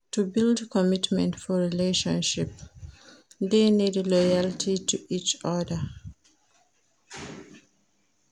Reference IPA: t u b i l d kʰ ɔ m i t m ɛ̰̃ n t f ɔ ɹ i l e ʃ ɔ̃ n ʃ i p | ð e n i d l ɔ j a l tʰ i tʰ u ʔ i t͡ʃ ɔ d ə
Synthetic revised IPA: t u b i l d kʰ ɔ m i t m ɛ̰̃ n t f ɔ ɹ i l e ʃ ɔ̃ n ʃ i p | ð e n i d l ɔ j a l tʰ i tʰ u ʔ i t͡ʃ ɔ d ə